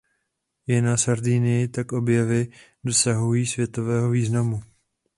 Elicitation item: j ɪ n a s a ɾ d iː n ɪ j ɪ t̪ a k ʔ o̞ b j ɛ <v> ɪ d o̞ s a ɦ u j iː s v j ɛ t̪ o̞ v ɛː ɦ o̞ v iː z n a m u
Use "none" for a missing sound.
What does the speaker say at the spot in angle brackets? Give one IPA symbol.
v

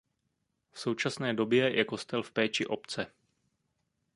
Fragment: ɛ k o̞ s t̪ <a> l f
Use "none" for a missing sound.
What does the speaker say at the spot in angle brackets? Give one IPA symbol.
ɛ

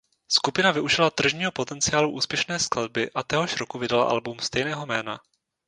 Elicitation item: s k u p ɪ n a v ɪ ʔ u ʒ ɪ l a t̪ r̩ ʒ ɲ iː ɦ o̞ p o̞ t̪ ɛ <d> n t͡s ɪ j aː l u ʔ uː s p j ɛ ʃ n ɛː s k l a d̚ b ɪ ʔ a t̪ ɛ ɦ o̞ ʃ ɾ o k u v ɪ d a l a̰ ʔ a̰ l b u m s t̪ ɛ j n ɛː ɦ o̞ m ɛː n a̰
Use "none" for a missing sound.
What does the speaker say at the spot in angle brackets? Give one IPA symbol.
none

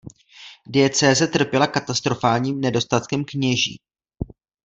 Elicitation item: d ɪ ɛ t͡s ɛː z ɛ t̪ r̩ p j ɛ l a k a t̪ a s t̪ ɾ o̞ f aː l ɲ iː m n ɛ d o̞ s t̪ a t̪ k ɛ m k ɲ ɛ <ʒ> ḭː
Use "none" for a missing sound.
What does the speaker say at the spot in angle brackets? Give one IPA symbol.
ʒ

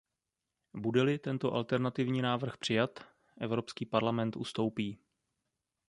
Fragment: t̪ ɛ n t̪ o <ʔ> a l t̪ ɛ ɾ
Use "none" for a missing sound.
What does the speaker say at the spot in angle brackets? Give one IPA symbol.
ʔ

